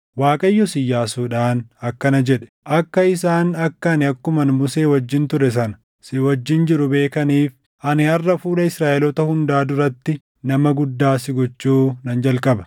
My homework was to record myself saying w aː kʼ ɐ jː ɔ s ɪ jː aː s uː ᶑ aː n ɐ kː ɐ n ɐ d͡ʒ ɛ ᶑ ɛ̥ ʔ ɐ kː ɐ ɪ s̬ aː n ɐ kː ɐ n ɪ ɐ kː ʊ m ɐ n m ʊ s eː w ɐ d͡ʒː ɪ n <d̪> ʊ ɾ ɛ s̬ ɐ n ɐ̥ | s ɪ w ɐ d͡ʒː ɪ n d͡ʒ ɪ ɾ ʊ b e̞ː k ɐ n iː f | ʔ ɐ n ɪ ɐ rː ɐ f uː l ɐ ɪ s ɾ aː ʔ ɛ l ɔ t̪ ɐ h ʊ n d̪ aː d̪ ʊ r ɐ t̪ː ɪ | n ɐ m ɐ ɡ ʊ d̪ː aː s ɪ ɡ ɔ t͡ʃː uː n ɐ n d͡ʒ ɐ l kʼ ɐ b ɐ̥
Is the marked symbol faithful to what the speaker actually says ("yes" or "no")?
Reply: no